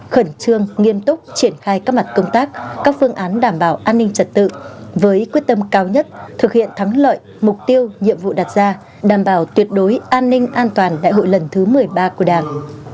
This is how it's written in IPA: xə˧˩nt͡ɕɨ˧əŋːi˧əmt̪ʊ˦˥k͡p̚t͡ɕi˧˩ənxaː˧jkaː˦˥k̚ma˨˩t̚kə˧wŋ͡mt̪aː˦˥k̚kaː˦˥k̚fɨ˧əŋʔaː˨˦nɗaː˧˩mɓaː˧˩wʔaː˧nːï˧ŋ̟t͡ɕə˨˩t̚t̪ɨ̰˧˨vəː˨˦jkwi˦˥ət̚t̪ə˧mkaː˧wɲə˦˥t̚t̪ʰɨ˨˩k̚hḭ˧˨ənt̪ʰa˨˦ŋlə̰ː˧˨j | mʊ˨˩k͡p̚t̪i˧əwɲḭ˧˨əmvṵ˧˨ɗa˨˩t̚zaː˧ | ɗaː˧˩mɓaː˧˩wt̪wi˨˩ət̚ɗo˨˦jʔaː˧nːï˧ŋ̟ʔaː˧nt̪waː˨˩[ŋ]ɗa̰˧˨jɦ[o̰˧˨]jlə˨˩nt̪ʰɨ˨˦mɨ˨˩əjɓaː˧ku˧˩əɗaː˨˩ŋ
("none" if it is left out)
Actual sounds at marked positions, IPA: n, o̰˧˨

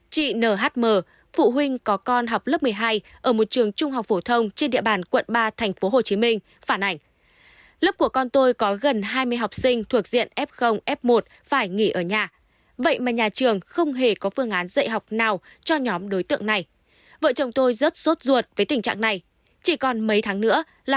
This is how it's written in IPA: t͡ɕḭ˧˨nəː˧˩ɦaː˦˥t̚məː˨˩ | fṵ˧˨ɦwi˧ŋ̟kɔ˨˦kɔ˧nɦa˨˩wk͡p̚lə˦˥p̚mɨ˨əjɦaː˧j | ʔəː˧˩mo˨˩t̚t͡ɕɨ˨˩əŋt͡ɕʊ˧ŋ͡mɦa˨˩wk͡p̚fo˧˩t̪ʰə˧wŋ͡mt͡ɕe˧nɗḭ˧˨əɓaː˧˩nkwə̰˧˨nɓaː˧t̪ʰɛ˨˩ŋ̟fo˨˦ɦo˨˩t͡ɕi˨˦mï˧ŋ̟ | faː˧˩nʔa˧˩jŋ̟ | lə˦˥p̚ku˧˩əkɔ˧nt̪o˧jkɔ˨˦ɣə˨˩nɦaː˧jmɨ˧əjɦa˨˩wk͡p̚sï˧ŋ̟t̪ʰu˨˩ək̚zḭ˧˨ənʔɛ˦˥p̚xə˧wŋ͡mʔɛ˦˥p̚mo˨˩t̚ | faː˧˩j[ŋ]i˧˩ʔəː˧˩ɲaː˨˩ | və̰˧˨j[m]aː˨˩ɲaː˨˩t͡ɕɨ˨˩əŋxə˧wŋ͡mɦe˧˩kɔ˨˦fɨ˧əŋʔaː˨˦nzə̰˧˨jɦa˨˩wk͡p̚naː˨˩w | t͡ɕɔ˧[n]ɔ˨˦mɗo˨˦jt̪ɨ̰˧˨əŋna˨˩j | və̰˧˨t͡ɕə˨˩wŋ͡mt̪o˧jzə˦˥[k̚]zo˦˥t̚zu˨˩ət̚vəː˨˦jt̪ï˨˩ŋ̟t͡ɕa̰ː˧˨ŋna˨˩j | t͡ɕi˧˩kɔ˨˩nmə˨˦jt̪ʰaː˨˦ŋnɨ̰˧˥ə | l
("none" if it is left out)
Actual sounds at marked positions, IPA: ŋ, m, ɲ, t̚

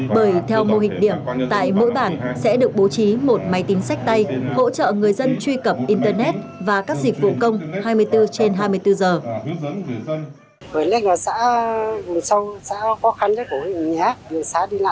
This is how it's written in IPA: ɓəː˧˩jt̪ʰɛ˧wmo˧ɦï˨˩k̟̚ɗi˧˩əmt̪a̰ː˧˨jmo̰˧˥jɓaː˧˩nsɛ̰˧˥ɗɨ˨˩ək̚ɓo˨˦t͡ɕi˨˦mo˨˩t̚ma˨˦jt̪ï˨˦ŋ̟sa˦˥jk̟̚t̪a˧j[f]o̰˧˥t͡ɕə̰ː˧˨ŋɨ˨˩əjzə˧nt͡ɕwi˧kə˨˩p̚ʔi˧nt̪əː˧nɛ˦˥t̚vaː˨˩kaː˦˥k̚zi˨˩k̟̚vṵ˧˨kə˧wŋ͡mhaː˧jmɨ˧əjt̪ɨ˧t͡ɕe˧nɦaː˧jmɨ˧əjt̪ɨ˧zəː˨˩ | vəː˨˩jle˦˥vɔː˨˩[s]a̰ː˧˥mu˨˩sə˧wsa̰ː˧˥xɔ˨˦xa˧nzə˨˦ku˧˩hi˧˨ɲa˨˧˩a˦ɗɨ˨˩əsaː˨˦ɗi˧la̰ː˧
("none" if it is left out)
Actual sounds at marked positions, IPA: h, s

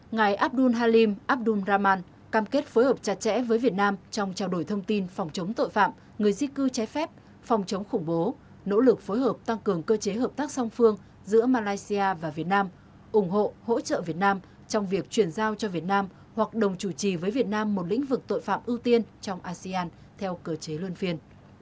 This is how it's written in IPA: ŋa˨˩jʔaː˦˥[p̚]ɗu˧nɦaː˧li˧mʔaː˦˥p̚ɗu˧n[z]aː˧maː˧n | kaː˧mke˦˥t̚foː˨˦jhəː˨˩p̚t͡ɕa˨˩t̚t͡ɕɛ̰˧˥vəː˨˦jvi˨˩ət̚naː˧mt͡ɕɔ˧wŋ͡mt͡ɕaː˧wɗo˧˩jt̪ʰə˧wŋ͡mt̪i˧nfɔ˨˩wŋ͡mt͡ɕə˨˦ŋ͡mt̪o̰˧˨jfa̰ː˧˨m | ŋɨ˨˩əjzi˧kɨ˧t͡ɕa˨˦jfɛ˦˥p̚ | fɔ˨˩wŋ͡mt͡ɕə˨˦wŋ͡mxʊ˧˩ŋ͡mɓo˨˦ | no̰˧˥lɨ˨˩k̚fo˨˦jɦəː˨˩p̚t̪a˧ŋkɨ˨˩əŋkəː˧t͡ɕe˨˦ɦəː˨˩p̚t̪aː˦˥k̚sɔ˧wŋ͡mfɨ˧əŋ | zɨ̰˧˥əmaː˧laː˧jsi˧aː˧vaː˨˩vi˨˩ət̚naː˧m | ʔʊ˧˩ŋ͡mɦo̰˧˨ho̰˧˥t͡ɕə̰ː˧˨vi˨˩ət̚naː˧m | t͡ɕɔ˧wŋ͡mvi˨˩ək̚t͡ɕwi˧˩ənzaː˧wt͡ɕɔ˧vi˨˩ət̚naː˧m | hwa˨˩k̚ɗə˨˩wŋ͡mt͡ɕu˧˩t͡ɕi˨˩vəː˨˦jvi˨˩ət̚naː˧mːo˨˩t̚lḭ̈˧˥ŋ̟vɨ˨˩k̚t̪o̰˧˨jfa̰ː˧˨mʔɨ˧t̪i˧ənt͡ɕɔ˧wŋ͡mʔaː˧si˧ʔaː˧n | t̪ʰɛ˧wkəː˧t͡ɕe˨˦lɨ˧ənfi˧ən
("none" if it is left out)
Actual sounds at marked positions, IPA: p̚, z

